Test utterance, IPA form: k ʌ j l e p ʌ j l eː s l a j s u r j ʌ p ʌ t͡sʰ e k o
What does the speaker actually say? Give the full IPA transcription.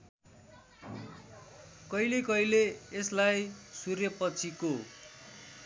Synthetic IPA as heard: k ʌ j l e k ʌ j l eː s l a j s u r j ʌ p ʌ t͡sʰ i k o